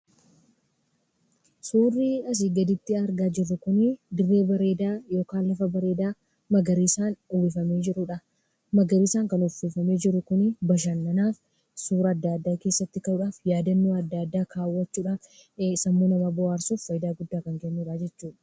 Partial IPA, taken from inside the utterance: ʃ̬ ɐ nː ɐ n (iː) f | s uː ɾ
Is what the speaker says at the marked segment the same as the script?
no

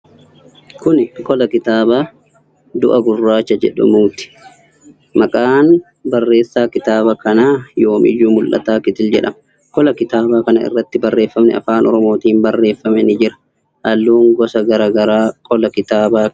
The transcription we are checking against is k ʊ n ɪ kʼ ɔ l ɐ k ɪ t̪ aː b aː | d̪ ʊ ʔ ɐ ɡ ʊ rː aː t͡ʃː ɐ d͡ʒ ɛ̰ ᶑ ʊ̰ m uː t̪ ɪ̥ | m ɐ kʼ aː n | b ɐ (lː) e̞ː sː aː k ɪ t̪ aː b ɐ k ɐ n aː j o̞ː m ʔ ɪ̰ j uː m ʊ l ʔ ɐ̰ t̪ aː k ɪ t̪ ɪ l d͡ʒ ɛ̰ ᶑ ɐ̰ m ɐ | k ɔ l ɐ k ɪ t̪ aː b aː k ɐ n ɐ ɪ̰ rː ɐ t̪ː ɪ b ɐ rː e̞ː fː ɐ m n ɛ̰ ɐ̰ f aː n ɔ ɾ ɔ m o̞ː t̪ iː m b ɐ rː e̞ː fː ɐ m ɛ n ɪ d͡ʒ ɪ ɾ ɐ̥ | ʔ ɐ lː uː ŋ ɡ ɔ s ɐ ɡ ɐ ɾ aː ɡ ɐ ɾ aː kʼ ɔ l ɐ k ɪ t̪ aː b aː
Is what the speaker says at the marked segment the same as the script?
no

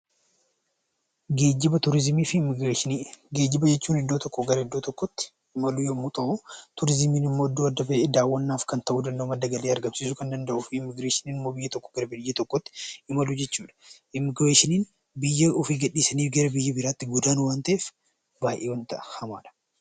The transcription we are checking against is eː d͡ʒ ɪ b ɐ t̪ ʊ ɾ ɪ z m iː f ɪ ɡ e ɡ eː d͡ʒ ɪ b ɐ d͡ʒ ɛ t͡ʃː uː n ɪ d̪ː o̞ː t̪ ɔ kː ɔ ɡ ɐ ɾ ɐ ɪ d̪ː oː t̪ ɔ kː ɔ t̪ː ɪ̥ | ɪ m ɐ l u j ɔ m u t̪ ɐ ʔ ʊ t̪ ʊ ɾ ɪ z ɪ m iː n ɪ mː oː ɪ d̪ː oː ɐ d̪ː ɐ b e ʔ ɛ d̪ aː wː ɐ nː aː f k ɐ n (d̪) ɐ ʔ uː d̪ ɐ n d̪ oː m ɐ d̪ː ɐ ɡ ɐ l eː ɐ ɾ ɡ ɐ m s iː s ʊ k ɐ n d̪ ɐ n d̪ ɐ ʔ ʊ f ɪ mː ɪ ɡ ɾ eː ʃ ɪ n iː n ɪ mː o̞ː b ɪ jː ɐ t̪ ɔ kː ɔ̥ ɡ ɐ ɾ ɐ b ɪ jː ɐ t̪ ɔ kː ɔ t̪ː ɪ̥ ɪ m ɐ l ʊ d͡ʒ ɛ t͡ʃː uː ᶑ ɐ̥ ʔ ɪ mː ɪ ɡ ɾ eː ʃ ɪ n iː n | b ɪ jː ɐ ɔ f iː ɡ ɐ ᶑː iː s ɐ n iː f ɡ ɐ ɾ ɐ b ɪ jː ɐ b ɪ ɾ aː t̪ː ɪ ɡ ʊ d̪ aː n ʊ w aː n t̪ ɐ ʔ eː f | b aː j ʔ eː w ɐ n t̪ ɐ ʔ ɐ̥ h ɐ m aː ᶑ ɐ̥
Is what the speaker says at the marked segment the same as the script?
no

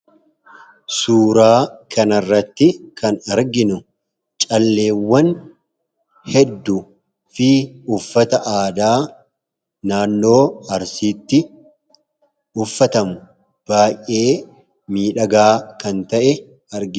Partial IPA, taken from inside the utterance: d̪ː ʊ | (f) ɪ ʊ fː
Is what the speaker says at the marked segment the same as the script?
yes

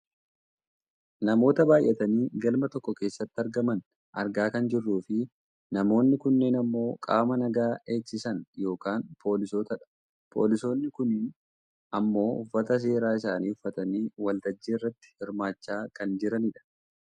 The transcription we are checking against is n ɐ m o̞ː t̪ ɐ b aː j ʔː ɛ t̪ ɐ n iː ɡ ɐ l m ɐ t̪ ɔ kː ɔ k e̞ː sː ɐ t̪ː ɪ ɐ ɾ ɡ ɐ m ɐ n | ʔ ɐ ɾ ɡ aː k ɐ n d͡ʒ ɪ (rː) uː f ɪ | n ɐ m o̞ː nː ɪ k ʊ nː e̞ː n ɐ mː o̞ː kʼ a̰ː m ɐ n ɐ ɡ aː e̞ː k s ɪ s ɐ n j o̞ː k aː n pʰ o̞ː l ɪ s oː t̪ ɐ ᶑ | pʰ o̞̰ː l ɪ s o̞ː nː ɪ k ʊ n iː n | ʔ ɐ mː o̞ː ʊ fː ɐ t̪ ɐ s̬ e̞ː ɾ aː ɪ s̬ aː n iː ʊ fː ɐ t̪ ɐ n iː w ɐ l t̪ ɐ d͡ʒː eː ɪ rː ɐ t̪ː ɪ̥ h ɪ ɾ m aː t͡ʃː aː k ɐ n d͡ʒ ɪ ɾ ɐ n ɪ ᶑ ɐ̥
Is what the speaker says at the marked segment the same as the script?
yes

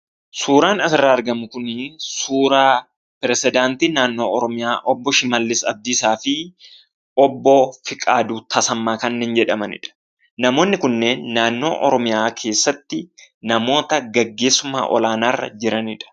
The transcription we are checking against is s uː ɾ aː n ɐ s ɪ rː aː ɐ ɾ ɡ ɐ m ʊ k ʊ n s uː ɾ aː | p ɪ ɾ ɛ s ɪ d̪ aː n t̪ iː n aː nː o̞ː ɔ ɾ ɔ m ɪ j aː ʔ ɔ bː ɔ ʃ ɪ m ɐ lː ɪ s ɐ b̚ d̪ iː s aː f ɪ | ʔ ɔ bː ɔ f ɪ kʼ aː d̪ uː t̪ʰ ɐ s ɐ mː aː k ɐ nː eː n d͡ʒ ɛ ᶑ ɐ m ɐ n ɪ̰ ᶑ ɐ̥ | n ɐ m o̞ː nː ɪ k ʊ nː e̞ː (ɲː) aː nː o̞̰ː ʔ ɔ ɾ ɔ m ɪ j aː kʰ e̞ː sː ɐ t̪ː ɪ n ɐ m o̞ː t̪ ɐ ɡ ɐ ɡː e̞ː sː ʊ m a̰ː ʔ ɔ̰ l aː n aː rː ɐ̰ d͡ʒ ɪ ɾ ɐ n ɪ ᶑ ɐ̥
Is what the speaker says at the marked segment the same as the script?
no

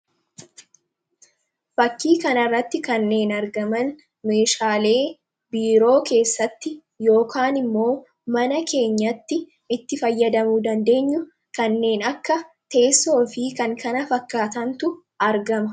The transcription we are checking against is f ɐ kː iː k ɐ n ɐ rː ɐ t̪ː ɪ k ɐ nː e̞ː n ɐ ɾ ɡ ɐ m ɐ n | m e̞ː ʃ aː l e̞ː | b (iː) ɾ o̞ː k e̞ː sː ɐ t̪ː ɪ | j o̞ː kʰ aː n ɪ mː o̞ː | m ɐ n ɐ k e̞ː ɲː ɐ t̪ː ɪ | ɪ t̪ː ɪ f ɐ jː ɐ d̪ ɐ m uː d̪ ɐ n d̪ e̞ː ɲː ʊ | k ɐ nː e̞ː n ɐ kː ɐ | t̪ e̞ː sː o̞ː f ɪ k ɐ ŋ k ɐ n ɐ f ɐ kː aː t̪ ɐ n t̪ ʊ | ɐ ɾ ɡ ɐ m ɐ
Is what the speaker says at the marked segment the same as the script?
yes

